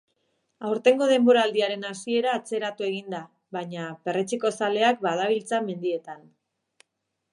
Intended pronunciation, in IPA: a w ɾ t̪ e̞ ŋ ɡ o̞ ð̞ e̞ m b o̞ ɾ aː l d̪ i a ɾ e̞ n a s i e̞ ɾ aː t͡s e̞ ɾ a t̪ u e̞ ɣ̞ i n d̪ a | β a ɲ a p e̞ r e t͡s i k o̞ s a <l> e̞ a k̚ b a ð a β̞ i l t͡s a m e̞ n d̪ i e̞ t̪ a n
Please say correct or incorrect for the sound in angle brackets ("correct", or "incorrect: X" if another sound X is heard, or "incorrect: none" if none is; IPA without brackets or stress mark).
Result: correct